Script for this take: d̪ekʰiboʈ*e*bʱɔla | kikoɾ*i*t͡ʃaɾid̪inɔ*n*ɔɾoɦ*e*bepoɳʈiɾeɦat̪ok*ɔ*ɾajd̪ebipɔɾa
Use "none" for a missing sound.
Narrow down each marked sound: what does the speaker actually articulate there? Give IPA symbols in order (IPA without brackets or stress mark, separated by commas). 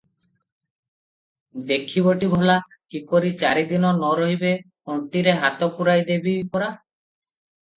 i, i, n, i, u